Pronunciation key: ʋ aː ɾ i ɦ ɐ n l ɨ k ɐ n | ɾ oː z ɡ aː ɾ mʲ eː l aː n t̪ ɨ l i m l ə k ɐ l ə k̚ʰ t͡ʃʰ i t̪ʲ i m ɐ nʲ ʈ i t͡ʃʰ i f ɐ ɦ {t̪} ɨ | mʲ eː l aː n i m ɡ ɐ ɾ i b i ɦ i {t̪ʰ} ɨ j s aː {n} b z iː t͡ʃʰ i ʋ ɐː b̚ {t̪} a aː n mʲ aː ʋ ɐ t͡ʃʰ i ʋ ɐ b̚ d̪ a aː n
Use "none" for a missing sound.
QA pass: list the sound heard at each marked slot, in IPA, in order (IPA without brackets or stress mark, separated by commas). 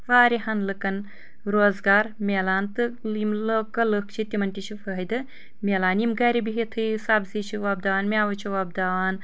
d̪, t̪ʰ, none, d̪